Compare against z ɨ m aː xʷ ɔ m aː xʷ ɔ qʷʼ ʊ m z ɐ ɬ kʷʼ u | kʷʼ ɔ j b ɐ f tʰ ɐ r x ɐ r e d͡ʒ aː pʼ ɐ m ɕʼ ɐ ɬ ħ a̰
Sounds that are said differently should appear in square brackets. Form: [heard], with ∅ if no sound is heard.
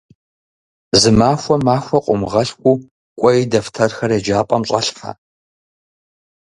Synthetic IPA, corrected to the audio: z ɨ m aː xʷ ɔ m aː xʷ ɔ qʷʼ ʊ m [ʁ] ɐ ɬ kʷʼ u | kʷʼ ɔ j [d] ɐ f tʰ ɐ r x ɐ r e d͡ʒ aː pʼ ɐ m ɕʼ ɐ ɬ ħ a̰

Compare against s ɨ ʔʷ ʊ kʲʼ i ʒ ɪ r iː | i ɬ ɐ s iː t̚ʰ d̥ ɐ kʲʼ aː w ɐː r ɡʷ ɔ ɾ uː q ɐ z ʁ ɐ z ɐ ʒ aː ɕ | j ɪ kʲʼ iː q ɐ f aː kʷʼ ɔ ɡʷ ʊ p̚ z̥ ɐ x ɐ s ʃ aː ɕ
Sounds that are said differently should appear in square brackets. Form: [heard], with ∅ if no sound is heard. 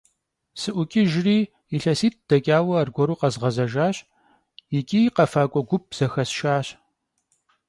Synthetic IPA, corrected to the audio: s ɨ ʔʷ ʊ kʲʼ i ʒ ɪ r iː | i ɬ ɐ s iː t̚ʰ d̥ ɐ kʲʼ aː w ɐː r ɡʷ ɔ ɾ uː q ɐ z ʁ ɐ z ɐ ʒ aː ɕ | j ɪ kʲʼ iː q ɐ f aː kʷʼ ɔ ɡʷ ʊ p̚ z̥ ɐ x ɐ s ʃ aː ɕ

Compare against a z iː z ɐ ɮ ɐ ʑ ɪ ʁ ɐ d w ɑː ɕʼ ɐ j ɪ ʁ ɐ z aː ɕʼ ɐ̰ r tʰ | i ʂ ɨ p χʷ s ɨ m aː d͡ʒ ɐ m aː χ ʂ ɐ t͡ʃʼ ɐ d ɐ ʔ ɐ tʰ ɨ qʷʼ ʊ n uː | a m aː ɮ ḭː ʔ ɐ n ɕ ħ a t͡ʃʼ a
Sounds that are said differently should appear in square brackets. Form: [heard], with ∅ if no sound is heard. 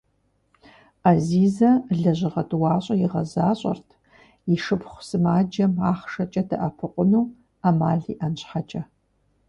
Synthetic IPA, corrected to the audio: a z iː z ɐ ɮ ɐ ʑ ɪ ʁ ɐ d w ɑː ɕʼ ɐ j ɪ ʁ ɐ z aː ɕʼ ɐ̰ r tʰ | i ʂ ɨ p χʷ s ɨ m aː d͡ʒ ɐ m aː χ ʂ ɐ t͡ʃʼ ɐ d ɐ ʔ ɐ [pʰ] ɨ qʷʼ ʊ n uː | a m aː ɮ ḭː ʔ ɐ n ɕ ħ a t͡ʃʼ [ɐ]

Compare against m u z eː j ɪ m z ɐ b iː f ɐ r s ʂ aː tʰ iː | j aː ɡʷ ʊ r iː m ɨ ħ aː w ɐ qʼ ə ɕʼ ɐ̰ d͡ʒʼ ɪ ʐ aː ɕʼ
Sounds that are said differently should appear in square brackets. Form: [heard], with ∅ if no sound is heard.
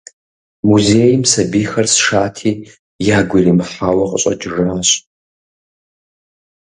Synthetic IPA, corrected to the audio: m u z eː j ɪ m [s] ɐ b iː [x] ɐ r s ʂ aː tʰ iː | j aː ɡʷ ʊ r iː m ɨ ħ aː w ɐ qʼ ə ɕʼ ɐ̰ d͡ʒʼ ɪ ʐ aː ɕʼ

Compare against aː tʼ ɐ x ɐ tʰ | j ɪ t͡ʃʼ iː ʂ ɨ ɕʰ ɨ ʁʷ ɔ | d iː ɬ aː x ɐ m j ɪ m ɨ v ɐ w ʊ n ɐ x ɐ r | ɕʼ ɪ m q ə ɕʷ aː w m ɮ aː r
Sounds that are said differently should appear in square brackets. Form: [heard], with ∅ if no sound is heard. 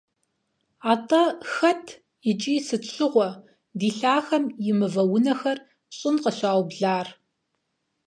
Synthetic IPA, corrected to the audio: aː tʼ ɐ x ɐ tʰ | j ɪ t͡ʃʼ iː [s] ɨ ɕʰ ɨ ʁʷ ɔ | d iː ɬ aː x ɐ m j ɪ m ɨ v ɐ w ʊ n ɐ x ɐ r | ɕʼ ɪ [n] q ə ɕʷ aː w [b] ɮ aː r

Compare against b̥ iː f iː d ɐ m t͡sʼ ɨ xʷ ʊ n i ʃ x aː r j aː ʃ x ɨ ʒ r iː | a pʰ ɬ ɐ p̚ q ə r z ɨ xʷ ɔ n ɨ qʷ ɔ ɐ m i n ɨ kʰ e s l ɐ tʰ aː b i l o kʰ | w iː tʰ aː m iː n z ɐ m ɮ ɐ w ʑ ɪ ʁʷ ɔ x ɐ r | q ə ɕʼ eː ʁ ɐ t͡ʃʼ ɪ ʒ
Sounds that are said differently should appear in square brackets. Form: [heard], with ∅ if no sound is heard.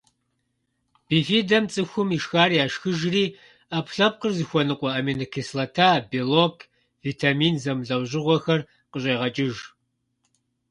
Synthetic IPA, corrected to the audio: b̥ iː f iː d ɐ m t͡sʼ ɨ xʷ ʊ [m] i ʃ x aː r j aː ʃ x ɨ ʒ r iː | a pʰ ɬ ɐ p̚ q ə r z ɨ xʷ ɔ n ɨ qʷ ɔ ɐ m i n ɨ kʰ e s l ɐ tʰ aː b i l o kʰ | [v] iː tʰ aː m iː n z ɐ m ɮ ɐ w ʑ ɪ ʁʷ ɔ x ɐ r | q ə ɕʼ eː ʁ ɐ t͡ʃʼ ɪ ʒ

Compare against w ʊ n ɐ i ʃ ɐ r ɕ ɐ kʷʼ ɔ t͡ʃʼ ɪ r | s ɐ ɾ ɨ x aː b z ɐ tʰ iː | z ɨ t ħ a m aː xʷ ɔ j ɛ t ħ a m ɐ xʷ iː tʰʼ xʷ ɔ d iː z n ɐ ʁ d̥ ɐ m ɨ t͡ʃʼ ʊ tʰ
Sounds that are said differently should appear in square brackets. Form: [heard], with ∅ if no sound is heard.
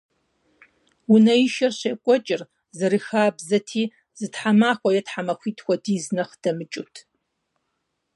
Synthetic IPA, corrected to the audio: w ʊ n ɐ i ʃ ɐ r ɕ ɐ kʷʼ ɔ t͡ʃʼ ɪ r | [z] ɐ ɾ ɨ x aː b z ɐ tʰ iː | z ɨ t ħ a m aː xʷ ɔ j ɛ t ħ a m ɐ xʷ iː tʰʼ xʷ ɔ d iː z n ɐ [χ] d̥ ɐ m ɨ t͡ʃʼ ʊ tʰ

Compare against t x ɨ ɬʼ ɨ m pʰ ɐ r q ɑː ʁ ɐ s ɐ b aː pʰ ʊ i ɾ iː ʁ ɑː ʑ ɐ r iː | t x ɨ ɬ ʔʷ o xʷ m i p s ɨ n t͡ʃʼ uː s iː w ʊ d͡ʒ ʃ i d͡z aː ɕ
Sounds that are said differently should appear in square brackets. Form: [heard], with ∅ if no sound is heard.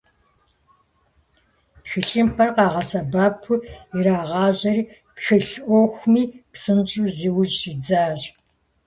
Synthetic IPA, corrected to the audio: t x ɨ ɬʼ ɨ m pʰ ɐ r q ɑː ʁ ɐ s ɐ b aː pʰ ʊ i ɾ [aː] ʁ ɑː ʑ ɐ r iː | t x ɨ ɬ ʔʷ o xʷ m [iː] p s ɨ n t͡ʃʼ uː [z] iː w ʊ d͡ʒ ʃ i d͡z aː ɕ

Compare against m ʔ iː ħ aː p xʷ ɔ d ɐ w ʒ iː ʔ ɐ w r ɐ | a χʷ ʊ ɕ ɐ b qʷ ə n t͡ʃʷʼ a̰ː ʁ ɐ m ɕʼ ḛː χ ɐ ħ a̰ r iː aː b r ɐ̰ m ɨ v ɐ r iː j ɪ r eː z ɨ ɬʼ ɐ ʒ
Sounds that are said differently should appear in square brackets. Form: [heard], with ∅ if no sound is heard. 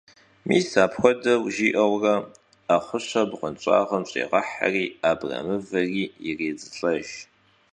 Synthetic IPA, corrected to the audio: m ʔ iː [s] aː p xʷ ɔ d ɐ w ʒ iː ʔ ɐ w r ɐ | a χʷ ʊ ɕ ɐ b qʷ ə n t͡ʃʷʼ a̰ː ʁ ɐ m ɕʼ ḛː [ʁ] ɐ ħ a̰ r iː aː b r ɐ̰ m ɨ v ɐ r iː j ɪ r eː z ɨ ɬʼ ɐ ʒ

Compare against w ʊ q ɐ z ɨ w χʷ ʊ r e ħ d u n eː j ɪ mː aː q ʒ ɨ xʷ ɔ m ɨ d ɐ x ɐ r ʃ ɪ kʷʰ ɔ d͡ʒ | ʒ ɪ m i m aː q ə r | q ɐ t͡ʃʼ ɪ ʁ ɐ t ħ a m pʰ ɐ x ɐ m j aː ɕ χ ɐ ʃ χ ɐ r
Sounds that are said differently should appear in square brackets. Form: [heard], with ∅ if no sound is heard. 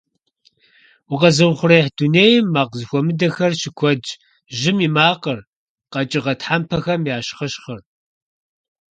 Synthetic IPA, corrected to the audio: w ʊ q ɐ z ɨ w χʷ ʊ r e ħ d u n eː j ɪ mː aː q [z] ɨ xʷ ɔ m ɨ d ɐ x ɐ r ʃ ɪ kʷʰ ɔ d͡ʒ | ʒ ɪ m i m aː q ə r | q ɐ t͡ʃʼ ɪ ʁ ɐ t ħ a m pʰ ɐ x ɐ m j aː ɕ χ ɐ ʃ χ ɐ r

